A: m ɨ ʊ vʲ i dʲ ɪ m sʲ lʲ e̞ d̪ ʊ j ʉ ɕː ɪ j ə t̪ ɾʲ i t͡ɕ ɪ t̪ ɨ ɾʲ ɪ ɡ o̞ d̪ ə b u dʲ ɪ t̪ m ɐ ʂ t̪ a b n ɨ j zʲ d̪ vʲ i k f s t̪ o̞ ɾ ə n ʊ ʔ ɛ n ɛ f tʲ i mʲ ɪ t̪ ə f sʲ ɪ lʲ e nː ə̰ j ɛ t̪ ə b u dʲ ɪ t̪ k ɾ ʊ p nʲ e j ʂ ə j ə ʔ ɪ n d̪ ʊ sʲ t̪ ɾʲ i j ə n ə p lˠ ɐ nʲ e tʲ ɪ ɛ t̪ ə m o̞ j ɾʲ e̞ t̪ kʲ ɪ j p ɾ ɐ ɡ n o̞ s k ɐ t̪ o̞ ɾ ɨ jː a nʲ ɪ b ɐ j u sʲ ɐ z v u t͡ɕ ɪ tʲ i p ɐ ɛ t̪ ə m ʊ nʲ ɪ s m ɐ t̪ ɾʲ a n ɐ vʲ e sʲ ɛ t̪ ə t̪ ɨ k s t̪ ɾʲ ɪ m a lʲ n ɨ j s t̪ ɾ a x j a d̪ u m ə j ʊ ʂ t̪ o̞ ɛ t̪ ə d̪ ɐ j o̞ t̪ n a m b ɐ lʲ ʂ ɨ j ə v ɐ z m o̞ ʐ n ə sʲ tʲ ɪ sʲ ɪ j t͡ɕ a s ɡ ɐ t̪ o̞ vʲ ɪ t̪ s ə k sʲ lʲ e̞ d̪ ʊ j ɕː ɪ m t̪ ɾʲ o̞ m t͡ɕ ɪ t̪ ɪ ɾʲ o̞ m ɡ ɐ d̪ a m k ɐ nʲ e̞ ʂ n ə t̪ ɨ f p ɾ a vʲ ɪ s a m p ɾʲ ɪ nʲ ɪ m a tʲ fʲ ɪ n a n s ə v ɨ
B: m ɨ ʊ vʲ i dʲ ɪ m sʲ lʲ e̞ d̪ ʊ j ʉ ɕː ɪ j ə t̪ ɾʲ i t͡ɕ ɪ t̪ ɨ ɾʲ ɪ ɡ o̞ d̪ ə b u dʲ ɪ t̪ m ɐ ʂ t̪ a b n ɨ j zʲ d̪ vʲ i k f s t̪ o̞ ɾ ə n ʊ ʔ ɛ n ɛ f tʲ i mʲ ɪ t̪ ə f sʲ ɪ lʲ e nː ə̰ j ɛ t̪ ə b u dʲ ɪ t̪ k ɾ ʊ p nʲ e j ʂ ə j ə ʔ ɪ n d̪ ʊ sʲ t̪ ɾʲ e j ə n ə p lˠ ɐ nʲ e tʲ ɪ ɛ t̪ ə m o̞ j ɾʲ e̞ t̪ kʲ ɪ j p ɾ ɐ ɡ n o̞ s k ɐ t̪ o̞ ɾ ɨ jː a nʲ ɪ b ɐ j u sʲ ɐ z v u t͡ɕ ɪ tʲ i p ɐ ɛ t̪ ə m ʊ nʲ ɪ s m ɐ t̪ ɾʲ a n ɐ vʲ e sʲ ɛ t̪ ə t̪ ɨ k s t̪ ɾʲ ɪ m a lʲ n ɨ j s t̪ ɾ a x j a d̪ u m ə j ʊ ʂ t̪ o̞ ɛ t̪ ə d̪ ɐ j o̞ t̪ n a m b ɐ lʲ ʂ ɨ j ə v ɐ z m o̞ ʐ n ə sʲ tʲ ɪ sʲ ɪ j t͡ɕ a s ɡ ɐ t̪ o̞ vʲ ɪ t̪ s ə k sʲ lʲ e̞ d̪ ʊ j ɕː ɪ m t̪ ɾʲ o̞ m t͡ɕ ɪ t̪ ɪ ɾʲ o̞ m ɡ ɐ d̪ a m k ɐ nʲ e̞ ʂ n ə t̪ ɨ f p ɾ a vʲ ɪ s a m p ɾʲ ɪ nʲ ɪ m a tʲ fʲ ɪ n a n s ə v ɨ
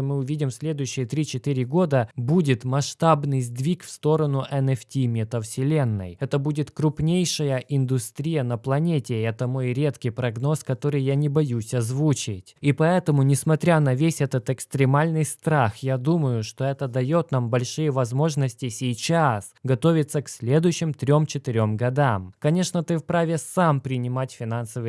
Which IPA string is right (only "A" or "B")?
A